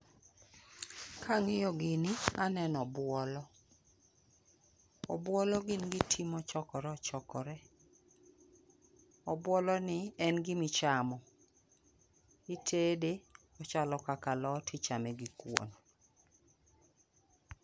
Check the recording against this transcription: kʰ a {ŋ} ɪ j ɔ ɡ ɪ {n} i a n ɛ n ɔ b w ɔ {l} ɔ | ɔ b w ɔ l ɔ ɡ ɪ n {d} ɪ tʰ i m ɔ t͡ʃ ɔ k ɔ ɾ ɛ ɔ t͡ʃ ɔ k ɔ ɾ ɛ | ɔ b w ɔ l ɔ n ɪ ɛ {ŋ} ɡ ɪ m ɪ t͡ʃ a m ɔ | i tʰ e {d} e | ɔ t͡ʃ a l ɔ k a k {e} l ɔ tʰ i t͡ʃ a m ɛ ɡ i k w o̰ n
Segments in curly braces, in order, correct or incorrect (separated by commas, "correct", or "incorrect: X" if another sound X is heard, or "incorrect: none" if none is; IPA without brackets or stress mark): correct, correct, correct, incorrect: ɡ, incorrect: n, correct, incorrect: a